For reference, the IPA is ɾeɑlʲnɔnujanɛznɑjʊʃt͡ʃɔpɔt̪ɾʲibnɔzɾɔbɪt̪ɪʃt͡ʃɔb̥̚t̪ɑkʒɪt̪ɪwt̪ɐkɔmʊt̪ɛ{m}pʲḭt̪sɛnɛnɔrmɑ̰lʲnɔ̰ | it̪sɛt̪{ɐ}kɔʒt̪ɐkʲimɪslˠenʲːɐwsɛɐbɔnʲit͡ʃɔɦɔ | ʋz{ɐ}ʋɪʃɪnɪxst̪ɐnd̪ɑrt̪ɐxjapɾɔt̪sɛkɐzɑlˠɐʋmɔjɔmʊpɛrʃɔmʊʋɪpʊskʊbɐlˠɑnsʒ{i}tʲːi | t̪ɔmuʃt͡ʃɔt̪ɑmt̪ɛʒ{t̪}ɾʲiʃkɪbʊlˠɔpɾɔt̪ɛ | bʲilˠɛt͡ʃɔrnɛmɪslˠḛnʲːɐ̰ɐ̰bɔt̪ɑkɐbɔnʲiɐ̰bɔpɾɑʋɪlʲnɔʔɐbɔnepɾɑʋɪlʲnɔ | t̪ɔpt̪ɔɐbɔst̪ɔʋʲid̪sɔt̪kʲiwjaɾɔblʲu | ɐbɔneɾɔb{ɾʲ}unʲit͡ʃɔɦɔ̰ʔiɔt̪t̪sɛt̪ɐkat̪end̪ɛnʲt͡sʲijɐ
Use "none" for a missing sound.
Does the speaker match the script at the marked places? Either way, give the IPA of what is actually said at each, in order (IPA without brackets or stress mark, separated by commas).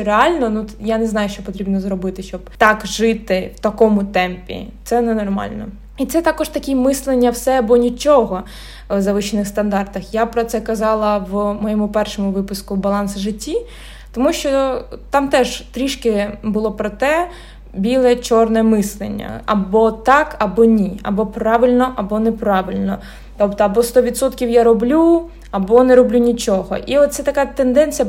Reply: m, ɑ, ɐ, ɪ, t̪, lʲ